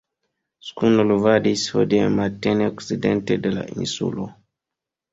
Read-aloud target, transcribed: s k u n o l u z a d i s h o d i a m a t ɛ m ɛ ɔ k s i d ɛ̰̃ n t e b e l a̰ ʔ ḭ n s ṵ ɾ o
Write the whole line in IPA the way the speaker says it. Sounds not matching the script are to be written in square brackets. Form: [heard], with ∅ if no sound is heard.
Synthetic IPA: s k u n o l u [v] a d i s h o d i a m a t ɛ [n] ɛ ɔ k s i d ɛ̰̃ n t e [d] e l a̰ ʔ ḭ n s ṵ [l] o